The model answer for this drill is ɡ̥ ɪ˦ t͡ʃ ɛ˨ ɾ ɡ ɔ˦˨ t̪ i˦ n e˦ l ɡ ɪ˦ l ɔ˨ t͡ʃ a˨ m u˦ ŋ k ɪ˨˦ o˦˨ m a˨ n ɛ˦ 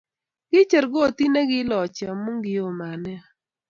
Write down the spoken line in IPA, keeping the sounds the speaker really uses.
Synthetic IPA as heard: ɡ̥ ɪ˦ t͡ʃ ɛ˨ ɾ ɡ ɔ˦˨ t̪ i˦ n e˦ ɡ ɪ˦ l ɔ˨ t͡ʃ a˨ m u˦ ŋ ɡ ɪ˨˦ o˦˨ m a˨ n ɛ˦